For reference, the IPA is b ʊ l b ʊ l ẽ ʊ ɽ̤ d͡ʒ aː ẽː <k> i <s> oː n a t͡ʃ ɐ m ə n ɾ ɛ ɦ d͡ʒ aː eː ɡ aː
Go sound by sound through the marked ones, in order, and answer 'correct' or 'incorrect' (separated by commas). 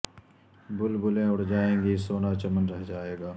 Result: incorrect, correct